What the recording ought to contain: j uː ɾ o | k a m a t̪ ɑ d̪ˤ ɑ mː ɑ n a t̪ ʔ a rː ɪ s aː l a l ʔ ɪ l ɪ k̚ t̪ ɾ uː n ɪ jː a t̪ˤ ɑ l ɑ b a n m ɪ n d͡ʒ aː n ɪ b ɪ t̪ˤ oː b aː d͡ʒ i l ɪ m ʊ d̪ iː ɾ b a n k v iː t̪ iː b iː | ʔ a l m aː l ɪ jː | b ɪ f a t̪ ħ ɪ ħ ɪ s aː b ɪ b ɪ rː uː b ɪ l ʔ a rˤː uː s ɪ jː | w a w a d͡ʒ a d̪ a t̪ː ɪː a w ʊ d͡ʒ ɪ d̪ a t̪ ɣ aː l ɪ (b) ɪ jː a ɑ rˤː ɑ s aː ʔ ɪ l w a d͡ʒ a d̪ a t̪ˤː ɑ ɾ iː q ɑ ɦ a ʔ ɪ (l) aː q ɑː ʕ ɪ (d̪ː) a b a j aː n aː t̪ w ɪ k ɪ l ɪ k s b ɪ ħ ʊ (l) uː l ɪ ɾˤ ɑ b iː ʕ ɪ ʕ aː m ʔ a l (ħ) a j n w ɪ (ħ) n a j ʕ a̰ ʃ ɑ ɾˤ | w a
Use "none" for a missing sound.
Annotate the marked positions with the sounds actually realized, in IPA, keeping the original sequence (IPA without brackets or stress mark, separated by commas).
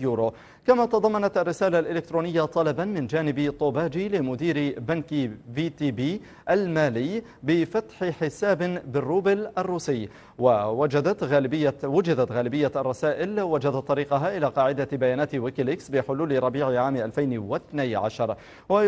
b, l, d̪, l, f, θ